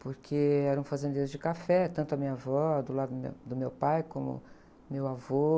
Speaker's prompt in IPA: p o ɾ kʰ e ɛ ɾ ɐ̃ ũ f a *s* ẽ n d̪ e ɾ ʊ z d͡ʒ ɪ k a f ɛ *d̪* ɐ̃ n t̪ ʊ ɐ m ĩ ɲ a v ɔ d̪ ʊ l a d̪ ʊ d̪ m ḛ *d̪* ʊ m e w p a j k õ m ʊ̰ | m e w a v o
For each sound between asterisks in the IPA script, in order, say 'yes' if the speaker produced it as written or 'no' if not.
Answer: no, no, yes

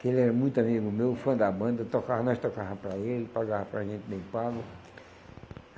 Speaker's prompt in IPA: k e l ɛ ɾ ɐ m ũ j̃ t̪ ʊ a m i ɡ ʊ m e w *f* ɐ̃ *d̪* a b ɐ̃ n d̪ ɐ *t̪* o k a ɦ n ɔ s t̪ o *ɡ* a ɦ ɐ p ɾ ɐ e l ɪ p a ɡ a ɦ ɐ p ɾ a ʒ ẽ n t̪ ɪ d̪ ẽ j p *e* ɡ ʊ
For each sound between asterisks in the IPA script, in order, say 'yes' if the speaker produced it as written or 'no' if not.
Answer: yes, yes, yes, no, no

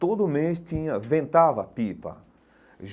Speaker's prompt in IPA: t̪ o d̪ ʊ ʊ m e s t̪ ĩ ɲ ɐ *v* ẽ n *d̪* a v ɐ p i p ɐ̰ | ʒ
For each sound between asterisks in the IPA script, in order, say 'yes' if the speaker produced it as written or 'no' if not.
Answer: yes, no

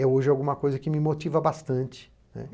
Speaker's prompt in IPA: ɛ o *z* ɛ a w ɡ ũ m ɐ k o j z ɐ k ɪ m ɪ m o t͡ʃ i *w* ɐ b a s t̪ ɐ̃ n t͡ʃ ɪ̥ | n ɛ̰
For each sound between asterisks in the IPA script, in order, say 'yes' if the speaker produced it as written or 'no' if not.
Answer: no, no

